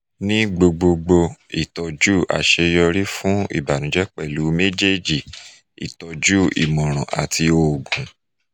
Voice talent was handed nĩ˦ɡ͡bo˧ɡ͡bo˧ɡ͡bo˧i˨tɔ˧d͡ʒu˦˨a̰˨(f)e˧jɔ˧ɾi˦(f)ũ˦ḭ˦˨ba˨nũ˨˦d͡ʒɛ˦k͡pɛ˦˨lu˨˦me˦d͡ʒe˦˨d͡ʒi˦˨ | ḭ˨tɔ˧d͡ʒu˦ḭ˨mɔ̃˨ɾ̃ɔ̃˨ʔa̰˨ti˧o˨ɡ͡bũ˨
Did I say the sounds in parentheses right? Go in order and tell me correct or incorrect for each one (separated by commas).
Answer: incorrect, correct